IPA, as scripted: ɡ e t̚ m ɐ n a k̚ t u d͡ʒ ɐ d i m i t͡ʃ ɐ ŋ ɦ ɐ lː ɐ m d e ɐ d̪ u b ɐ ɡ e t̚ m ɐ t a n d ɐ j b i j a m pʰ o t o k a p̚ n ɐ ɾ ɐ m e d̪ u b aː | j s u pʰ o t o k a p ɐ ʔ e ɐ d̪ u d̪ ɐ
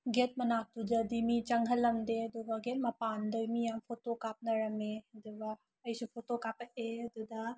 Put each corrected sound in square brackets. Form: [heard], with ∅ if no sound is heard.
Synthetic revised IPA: ɡ e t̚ m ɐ n a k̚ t u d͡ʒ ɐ d i m i t͡ʃ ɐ ŋ ɦ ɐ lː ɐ m d e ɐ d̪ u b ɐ ɡ e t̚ m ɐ [p] a n d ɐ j [m] i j a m pʰ o t o k a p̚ n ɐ ɾ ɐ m e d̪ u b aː | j s u pʰ o t o k a p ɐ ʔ e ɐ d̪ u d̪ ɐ

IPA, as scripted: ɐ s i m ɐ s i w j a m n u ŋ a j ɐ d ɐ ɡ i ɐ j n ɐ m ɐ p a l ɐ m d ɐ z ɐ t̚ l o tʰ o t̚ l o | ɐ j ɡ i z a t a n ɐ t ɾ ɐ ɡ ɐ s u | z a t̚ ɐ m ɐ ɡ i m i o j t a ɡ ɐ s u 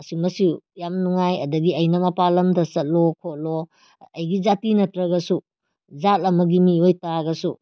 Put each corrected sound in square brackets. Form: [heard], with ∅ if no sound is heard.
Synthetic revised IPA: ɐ s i m ɐ s i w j a m n u ŋ a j ɐ d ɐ ɡ i ɐ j n ɐ m ɐ p a l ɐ m d ɐ [s] ɐ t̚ l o [kʰ] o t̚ l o | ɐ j ɡ i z a t [i] n ɐ t ɾ ɐ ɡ ɐ s u | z a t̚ ɐ m ɐ ɡ i m i o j t a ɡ ɐ s u

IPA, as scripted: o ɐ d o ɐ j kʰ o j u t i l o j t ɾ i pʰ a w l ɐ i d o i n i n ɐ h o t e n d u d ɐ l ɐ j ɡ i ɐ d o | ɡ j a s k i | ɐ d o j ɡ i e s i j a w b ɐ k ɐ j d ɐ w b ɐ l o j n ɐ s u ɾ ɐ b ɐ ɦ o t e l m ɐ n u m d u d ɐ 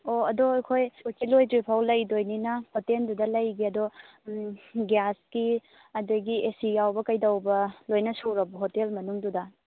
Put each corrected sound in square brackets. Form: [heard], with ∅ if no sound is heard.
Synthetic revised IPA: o ɐ d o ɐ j kʰ o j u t i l o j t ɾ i pʰ a w l ɐ [j] d o [j] n i n ɐ h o t e n d u d ɐ l ɐ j ɡ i ɐ d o | ɡ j a s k i | ɐ d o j ɡ i e s i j a w b ɐ k ɐ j d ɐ w b ɐ l o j n ɐ s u ɾ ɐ b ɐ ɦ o t e l m ɐ n u [ŋ] d u d ɐ

